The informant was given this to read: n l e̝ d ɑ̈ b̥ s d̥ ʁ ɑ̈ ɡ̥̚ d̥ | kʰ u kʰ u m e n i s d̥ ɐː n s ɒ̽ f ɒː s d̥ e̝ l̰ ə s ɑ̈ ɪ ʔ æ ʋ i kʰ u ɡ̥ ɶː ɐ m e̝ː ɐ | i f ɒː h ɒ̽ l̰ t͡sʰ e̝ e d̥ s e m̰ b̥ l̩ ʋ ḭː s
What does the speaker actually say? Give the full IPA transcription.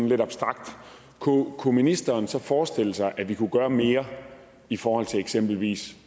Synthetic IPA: n l e̝ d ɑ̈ b̥ s d̥ ʁ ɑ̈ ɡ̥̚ d̥ | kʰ u kʰ u m i n i s d̥ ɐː n s ɒ̽ f ɒː s d̥ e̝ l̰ ə s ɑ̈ ɪ ʔ æ ʋ i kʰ u ɡ̥ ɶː ɐ m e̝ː ɐ | i f ɒː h ɒ̽ l̰ t͡sʰ e̝ e ɡ̥ s e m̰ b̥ l̩ ʋ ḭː s

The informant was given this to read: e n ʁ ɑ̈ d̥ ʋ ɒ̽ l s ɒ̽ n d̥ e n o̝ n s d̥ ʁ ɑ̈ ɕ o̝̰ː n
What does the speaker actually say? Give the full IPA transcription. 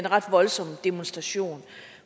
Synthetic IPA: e n ʁ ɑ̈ d̥ ʋ ɒ̽ l s ɒ̽ m d̥ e m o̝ n s d̥ ʁ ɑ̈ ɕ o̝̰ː n

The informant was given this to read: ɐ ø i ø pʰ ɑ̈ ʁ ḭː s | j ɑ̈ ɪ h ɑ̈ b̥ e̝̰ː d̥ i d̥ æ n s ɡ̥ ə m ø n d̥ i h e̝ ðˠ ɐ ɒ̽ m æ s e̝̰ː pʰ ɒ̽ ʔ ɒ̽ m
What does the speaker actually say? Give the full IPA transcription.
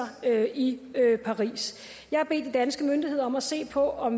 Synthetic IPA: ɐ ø i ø pʰ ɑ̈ ʁ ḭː s | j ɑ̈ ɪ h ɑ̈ b̥ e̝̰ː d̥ i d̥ æ n s ɡ̥ ə m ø n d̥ i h e̝ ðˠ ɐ ɒ̽ m æ s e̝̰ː pʰ ɒ̽ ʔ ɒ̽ m

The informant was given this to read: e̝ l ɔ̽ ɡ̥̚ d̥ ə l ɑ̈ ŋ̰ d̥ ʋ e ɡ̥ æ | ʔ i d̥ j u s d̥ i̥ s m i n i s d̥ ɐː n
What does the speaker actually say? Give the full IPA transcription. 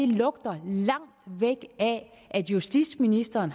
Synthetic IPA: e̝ l ɔ̽ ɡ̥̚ d̥ ɐ l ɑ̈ ŋ̰ d̥ ʋ e ɡ̥ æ | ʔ æ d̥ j u s d̥ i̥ s m i n i s d̥ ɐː n

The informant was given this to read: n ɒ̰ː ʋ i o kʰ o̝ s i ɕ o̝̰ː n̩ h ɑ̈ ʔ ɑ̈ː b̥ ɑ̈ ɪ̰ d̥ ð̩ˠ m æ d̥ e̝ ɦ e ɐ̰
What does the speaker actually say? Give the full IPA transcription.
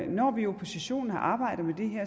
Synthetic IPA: n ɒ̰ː ʋ i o pʰ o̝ s i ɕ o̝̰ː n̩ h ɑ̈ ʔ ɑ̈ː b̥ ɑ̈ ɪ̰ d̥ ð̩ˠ m e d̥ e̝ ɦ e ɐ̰

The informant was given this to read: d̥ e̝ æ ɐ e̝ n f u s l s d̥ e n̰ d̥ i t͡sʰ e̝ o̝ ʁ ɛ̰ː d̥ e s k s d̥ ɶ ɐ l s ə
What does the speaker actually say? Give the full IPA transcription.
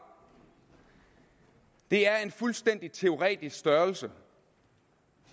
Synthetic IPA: d̥ e̝ æ ɐ e̝ n f u l s d̥ e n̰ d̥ i t͡sʰ e̝ o̝ ʁ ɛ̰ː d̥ i s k s d̥ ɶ ɐ l s ə

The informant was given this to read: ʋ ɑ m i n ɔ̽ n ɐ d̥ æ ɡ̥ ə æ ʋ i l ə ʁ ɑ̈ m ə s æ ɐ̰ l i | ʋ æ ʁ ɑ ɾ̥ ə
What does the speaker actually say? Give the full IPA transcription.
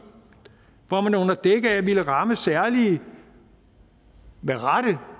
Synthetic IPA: ʋ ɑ m æ n ɔ̽ n ɐ d̥ e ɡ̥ ə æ ʋ i l ə ʁ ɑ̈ m ə s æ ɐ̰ l i | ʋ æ ʁ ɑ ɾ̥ ə

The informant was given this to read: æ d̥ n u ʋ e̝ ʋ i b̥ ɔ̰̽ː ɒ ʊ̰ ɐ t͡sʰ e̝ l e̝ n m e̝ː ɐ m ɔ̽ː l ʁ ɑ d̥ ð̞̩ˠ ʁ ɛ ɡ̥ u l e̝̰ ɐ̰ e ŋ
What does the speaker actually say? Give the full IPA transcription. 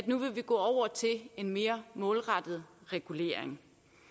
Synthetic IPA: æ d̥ n u ʋ e̝ ʋ i ɡ̥ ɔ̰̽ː ɒ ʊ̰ ɐ t͡sʰ e̝ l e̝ n m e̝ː ɐ m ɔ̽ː l ʁ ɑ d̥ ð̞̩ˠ ʁ ɛ ɡ̥ u l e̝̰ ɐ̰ e ŋ

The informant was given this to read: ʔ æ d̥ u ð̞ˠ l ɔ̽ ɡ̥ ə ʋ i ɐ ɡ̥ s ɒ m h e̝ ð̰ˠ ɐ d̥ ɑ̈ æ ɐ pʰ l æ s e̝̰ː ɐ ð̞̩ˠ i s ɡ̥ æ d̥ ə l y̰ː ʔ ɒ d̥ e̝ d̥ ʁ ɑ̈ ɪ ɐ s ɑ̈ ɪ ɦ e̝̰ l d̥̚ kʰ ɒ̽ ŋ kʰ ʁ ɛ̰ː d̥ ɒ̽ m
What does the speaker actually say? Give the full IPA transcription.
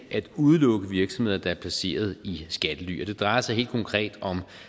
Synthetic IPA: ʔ æ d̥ u ð̞ˠ l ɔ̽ ɡ̥ ə ʋ i ɐ ɡ̥ s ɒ m h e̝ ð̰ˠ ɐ d̥ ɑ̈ æ ɐ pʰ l æ s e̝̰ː ɐ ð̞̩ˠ i s ɡ̥ æ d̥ ə l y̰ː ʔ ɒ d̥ e̝ d̥ ʁ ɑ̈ ɪ ɐ s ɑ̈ ɪ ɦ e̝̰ l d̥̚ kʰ ɒ̽ ŋ kʰ ʁ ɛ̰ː d̥ ɒ̽ m

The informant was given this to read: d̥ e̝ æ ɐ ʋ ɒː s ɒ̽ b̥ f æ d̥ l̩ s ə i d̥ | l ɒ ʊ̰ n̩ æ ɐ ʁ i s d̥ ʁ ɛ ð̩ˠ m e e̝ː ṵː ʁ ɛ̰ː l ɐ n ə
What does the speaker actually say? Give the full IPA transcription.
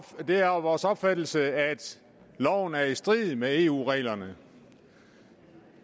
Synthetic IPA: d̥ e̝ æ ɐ ʋ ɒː s ɒ̽ b̥ f æ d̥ l̩ s ə æ d̥ | l ɒ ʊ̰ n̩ æ ɐ i s d̥ ʁ i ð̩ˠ m e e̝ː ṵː ʁ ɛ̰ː l ɐ n ə

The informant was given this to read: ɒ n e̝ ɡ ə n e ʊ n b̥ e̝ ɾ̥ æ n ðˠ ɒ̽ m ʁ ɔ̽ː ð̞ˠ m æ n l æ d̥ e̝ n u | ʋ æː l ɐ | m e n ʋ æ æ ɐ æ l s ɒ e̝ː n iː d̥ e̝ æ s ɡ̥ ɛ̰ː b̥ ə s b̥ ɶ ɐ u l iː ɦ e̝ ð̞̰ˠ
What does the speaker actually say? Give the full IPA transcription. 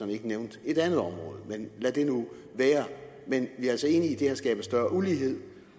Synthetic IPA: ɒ n e̝ ɡ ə n e ʊ n d̥ e̝ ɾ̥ æ n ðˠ ɒ̽ m ʁ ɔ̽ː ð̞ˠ m e n l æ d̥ e̝ n u | ʋ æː ɐ | m e n ʋ i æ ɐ æ l s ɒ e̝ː n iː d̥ e̝ æ s ɡ̥ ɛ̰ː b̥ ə s d̥ ɶ ɐ u l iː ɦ e̝ ð̞̰ˠ

